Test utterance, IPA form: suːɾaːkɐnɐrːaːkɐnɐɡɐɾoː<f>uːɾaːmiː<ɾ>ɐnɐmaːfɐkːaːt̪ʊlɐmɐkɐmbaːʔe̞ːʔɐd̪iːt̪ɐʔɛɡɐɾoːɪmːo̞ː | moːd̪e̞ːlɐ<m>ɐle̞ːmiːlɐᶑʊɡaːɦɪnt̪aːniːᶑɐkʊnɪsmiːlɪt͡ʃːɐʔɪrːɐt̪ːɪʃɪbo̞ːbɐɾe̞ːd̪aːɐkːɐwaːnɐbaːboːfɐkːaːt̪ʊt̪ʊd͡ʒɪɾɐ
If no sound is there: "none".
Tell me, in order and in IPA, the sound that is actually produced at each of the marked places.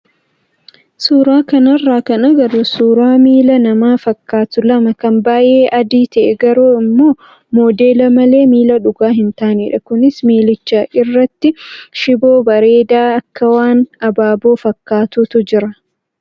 s, l, m

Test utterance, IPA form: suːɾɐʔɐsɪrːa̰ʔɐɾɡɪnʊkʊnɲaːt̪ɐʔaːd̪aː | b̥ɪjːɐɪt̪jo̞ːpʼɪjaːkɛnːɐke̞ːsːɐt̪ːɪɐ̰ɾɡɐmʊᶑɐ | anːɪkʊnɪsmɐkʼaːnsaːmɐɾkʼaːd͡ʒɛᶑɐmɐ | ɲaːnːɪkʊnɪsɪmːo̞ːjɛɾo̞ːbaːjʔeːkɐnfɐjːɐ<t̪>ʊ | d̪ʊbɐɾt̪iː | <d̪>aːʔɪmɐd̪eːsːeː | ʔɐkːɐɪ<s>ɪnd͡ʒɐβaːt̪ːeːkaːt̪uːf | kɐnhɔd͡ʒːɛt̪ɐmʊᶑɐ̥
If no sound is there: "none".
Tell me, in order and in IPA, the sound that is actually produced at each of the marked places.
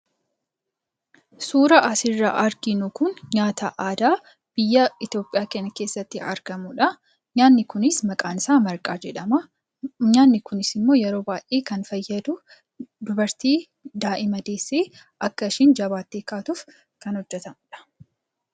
d̪, d̪, ʃ

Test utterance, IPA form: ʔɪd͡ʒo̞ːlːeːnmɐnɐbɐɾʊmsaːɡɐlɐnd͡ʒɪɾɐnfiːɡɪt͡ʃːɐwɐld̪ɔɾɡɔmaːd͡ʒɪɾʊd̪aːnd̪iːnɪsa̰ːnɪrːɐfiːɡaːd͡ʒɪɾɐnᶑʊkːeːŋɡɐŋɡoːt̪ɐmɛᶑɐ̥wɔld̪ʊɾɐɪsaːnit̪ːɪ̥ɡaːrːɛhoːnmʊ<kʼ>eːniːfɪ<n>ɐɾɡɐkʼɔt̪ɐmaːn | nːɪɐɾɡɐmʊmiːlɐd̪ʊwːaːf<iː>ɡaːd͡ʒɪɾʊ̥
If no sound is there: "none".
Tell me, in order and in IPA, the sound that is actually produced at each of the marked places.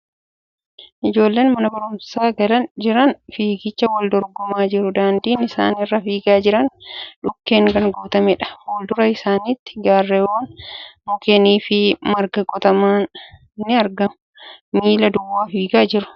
k, m, iː

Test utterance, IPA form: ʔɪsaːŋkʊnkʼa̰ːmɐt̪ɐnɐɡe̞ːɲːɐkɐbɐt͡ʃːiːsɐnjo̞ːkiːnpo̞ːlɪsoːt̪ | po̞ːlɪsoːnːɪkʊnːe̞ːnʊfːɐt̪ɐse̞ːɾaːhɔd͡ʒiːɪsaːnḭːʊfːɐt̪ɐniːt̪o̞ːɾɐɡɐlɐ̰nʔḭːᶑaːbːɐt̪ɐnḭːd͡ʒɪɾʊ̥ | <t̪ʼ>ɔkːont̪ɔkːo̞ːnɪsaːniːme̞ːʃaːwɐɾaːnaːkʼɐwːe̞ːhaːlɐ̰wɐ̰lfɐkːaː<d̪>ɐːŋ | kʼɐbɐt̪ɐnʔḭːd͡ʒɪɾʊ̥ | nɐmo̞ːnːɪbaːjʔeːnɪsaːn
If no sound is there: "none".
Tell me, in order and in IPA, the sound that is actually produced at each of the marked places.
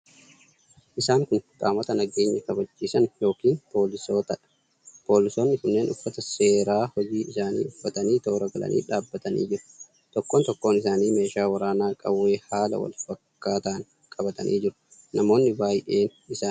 t̪, t̪

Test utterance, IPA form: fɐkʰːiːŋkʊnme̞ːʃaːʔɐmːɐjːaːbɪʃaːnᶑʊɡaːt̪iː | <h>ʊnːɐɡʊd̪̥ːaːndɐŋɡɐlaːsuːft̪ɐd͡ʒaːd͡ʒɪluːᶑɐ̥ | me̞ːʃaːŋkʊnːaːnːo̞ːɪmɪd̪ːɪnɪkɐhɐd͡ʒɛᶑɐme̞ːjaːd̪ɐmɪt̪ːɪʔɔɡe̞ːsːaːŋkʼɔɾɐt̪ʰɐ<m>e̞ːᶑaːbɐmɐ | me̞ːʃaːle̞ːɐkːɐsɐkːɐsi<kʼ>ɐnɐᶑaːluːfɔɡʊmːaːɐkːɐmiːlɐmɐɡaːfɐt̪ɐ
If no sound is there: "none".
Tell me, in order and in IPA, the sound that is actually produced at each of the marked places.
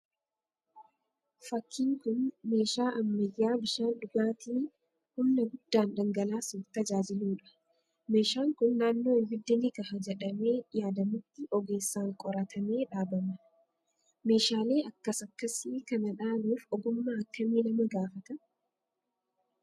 h, m, k

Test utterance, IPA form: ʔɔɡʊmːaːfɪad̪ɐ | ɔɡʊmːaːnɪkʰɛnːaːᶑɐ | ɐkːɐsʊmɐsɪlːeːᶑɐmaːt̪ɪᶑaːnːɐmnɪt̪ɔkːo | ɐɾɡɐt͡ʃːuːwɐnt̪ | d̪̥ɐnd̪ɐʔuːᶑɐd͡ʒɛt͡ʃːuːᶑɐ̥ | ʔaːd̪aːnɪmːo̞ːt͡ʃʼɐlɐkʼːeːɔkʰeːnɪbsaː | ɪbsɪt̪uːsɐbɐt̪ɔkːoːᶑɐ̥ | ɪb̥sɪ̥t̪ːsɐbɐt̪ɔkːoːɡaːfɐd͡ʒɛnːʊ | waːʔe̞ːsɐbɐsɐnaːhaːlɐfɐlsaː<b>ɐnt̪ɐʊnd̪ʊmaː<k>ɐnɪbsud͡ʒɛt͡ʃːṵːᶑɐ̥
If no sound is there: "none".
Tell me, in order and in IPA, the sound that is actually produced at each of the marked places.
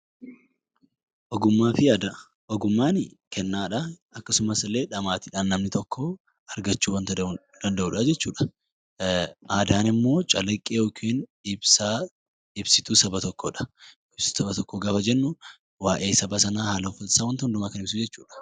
w, k

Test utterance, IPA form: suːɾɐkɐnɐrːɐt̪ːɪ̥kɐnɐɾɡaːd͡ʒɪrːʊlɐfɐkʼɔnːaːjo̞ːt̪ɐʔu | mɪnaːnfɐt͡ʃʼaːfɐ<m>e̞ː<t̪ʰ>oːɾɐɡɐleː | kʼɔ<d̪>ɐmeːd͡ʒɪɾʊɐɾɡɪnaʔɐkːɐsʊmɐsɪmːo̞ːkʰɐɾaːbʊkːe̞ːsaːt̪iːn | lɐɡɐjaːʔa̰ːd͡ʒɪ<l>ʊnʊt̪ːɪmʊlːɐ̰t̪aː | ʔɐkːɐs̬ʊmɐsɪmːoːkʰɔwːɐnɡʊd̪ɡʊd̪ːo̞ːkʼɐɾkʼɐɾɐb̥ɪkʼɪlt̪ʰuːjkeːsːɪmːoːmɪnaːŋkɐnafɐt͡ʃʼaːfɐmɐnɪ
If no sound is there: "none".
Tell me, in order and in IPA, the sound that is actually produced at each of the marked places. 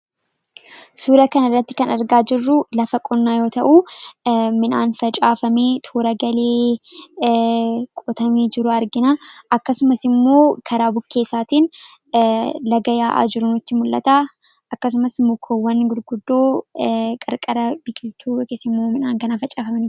m, t̪ʰ, t̪, ɾ

